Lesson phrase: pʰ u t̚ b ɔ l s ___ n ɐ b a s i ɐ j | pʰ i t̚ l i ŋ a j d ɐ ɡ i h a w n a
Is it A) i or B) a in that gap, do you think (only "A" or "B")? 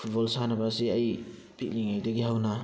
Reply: B